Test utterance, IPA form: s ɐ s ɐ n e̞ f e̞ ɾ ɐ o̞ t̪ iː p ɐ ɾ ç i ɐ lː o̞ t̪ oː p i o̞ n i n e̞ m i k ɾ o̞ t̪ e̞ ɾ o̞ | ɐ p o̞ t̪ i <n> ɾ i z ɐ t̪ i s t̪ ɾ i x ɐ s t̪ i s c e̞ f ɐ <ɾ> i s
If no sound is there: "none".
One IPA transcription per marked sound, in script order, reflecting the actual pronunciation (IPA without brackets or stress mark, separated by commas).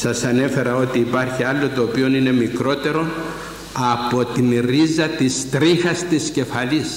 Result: n, l